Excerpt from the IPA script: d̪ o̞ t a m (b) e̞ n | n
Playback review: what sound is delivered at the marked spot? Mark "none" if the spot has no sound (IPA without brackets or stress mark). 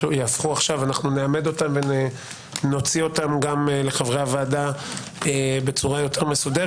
v